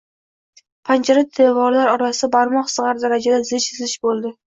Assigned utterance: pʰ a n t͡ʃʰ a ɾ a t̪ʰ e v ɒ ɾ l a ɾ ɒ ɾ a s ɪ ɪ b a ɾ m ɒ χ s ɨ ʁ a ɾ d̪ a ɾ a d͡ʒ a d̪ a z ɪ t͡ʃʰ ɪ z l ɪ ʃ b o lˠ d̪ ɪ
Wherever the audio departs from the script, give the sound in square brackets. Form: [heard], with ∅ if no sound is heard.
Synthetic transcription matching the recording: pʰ a n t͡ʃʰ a ɾ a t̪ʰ e v ɒ ɾ l a ɾ ɒ ɾ a s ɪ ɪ b a ɾ m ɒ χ s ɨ ʁ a ɾ d̪ a ɾ a d͡ʒ a d̪ a z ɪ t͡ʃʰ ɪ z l ɪ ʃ b o lˠ d̪ ɪ